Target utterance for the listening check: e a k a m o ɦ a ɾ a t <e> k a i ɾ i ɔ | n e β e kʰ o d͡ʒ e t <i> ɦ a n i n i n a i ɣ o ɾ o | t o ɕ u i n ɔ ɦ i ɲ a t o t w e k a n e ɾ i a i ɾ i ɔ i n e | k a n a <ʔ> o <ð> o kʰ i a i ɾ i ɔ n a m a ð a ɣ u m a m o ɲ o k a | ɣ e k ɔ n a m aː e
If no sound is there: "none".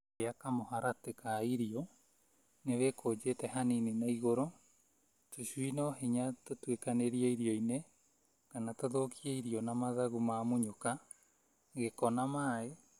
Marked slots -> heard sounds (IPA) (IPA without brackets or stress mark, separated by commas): e, ɛ, t, ð